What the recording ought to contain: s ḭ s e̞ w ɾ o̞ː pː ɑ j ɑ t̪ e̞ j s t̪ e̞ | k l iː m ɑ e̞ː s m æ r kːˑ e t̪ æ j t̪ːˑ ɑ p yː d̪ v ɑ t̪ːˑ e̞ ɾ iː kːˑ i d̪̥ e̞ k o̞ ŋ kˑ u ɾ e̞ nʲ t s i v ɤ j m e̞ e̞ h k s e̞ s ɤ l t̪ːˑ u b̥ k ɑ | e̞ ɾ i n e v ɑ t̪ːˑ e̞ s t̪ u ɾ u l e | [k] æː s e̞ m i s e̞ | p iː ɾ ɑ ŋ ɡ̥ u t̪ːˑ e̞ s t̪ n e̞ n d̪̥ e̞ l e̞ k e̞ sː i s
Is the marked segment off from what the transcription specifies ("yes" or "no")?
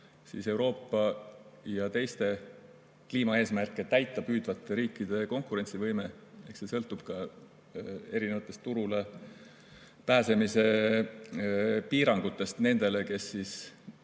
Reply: yes